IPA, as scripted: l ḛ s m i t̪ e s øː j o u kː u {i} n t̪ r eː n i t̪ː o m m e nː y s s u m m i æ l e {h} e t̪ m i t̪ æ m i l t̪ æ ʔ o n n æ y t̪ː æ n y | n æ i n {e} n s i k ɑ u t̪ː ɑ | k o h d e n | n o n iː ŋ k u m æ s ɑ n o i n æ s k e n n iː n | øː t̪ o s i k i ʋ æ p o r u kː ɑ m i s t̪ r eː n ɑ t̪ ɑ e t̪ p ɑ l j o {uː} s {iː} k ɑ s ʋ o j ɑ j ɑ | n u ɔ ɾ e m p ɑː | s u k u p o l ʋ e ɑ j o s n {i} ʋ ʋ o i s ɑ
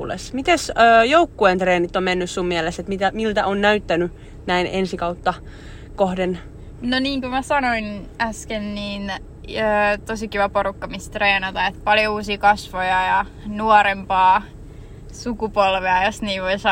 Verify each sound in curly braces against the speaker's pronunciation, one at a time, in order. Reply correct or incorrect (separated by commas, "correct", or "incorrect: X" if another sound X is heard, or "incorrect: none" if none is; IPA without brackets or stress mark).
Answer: incorrect: e, incorrect: s, correct, correct, correct, incorrect: iː